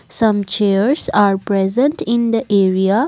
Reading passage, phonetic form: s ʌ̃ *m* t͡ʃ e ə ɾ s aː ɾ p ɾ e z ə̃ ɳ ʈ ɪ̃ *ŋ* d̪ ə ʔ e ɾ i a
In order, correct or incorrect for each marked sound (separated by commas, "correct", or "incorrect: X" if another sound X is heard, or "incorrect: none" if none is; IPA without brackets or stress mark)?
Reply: correct, incorrect: n